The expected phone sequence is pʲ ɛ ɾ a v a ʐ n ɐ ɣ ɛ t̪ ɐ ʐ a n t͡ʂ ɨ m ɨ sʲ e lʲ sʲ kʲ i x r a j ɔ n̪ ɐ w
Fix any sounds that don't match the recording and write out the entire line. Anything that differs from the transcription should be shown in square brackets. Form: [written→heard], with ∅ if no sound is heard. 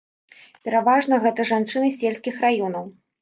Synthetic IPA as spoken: pʲ ɛ ɾ a v a ʐ n ɐ ɣ ɛ t̪ ɐ ʐ a n t͡ʂ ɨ [m→n] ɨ sʲ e lʲ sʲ kʲ i x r a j ɔ n̪ ɐ w